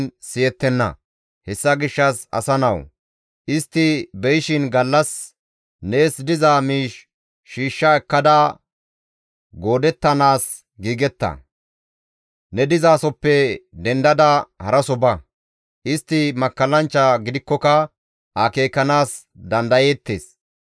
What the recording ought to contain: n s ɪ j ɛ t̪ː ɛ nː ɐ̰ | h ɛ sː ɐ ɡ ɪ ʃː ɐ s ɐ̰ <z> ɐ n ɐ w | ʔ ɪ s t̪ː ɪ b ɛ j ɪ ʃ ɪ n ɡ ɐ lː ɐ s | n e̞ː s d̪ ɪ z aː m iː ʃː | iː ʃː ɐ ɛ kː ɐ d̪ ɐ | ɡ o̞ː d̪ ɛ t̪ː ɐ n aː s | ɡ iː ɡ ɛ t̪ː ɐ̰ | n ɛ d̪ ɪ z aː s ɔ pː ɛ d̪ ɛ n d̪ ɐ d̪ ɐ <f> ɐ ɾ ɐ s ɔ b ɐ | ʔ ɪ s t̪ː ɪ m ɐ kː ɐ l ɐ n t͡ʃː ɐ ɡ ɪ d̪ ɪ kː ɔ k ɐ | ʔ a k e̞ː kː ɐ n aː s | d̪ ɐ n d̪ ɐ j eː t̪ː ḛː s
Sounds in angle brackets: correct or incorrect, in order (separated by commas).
incorrect, incorrect